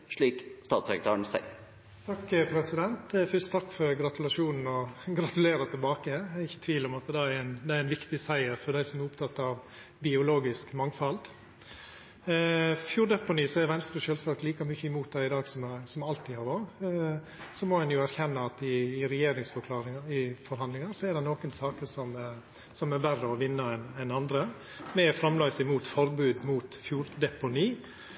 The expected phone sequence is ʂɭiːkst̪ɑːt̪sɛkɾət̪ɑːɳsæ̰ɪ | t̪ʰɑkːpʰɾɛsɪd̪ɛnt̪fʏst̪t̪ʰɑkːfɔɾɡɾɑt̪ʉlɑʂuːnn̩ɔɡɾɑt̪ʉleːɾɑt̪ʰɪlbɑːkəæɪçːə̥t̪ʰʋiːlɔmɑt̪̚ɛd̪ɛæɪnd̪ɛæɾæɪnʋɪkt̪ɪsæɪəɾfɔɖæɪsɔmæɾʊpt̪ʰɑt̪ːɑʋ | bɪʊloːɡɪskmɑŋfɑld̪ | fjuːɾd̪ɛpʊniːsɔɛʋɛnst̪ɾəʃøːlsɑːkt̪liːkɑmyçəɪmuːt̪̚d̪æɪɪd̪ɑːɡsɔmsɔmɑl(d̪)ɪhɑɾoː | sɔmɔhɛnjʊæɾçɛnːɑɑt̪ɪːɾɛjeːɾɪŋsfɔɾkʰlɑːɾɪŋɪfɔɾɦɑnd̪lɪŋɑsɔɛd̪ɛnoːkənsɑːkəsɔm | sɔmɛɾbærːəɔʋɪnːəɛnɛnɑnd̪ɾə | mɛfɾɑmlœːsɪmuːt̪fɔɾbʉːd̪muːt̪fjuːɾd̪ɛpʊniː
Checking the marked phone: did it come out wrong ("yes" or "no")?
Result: yes